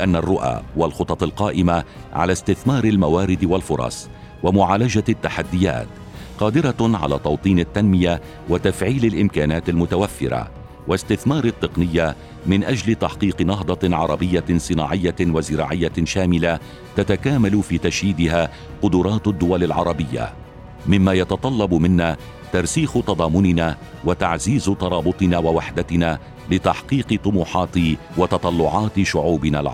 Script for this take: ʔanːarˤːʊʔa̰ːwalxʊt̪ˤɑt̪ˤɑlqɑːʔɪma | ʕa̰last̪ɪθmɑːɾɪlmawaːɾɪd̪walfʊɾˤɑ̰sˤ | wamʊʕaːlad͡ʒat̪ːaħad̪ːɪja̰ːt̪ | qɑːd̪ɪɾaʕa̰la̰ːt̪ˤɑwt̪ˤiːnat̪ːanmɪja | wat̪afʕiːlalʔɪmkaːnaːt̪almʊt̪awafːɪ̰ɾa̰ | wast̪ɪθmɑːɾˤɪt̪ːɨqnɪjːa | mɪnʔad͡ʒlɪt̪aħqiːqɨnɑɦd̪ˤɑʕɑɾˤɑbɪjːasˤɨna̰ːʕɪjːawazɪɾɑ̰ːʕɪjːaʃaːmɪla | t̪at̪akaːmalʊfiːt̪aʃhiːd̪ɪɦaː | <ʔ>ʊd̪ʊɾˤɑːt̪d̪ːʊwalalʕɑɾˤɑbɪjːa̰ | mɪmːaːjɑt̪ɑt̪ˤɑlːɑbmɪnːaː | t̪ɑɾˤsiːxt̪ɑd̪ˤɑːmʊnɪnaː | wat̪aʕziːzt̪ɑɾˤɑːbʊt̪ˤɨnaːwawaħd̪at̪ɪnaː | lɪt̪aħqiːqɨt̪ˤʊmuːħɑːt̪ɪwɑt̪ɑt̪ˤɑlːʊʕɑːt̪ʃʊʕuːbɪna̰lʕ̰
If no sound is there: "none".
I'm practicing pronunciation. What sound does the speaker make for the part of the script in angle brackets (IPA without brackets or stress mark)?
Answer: q